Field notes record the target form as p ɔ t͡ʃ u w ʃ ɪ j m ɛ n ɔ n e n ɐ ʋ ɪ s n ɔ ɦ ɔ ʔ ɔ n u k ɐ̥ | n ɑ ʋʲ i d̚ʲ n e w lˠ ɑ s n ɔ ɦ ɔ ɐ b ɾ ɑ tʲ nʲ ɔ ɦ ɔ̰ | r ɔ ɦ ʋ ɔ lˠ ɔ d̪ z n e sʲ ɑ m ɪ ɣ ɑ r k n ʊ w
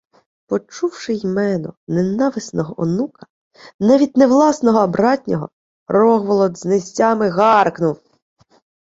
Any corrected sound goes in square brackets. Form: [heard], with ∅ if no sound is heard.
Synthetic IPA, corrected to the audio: p ɔ t͡ʃ u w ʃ ɪ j m ɛ n ɔ n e n [ɑ] ʋ ɪ s n ɔ ɦ ɔ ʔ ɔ n u k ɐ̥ | n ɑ ʋʲ i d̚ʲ n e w lˠ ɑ s n ɔ ɦ ɔ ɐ b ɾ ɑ tʲ nʲ ɔ ɦ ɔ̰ | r ɔ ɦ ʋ ɔ lˠ ɔ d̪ z n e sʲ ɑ m ɪ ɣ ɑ r k n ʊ w